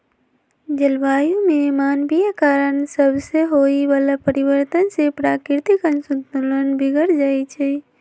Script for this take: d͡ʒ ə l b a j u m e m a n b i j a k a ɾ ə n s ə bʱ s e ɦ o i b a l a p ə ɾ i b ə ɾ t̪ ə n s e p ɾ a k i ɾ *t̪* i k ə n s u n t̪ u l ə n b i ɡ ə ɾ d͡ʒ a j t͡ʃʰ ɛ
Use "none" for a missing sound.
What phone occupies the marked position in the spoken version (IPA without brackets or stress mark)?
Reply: t̪